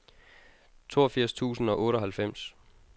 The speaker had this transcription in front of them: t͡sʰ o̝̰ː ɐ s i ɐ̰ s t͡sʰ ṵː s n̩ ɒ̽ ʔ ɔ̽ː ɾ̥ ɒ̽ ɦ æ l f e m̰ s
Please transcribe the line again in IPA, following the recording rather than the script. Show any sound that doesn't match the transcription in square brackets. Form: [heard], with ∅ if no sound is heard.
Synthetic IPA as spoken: t͡sʰ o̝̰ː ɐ [f] i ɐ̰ s t͡sʰ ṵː s n̩ ɒ̽ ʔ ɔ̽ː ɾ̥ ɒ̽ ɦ æ l f e m̰ s